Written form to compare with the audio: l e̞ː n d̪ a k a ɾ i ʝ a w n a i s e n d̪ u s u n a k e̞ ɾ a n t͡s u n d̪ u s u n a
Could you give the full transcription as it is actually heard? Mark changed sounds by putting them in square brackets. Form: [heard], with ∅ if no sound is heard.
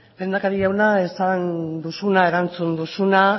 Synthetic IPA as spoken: l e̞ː n d̪ a k a ɾ i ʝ a w n a [e] s [a] n d̪ u s u n a [∅] e̞ ɾ a n t͡s u n d̪ u s u n a